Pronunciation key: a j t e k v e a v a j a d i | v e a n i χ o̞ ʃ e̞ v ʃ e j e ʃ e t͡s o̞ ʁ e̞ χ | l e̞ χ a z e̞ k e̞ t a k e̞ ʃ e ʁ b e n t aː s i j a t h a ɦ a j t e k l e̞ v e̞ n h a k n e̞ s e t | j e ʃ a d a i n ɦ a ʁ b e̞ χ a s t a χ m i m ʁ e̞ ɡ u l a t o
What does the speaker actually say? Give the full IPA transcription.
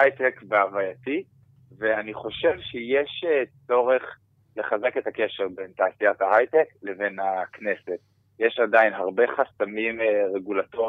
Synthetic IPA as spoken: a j t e k v e a v a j a t i | v e a n i χ o̞ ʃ e̞ v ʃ e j e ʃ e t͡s o̞ ʁ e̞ χ | l e̞ χ a z e̞ k e̞ t a k e̞ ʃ e ʁ b e n t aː s i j a t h a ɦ a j t e k l e̞ v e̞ n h a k n e̞ s e t | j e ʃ a d a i n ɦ a ʁ b e̞ χ a s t a m i m ʁ e̞ ɡ u l a t o